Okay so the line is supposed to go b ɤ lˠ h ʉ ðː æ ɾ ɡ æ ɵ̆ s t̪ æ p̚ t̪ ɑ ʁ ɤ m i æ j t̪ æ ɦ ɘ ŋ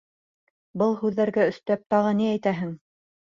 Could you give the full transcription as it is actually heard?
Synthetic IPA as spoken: b ɤ lˠ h ʉ ðː æ ɾ ɡ æ ɵ̆ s t̪ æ p̚ t̪ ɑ ʁ ɤ n i æ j t̪ æ ɦ ɘ ŋ